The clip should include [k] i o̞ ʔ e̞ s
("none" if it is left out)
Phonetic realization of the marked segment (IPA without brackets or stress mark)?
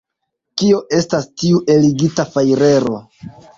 k